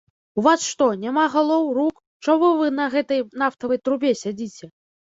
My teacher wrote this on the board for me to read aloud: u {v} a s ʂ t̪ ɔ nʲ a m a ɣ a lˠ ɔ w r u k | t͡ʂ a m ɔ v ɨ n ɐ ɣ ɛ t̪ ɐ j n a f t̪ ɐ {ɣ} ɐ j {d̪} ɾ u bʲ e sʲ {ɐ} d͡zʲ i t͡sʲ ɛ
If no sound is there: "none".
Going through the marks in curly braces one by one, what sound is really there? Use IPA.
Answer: v, v, t̪, a

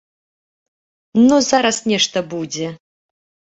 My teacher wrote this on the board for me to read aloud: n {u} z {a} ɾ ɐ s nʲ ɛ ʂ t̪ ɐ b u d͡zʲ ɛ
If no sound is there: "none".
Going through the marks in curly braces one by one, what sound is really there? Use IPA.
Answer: u, a

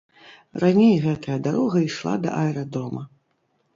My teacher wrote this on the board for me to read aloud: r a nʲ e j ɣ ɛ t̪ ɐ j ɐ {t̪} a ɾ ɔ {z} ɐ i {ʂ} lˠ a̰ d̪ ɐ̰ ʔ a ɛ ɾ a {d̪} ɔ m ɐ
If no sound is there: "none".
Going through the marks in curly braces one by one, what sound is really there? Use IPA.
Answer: d̪, ɣ, ʂ, d̪

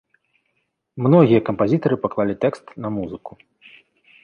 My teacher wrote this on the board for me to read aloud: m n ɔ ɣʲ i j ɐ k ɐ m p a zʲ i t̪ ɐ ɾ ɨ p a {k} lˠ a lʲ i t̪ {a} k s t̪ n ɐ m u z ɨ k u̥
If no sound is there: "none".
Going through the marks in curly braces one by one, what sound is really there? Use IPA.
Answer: k, ɛ

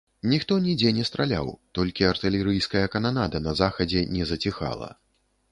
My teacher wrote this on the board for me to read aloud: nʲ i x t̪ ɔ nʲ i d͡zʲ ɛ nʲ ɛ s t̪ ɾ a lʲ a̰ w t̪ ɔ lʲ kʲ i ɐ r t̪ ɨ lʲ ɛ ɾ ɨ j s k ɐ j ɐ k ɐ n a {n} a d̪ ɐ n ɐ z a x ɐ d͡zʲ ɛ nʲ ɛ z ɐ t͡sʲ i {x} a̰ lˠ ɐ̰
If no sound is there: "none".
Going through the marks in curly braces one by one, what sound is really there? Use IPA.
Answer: n, x

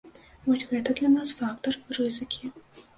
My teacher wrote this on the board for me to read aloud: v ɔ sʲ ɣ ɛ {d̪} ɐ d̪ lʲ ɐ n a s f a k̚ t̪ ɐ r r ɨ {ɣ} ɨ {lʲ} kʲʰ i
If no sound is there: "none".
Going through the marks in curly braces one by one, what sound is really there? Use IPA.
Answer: t̪, z, none

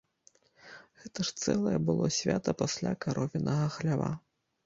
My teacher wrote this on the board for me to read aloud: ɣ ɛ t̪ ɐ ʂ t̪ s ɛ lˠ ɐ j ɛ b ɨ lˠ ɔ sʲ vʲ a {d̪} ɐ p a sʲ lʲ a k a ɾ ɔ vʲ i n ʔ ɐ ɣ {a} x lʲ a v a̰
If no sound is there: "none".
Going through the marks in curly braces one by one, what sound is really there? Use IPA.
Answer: t̪, ɐ

